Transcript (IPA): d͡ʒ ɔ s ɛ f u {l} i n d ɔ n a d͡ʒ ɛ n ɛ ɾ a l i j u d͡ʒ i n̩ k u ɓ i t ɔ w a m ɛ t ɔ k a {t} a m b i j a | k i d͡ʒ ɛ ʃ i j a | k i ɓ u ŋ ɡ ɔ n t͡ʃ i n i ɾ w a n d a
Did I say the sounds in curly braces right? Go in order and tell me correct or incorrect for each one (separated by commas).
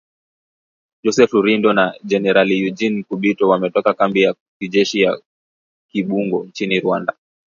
incorrect, incorrect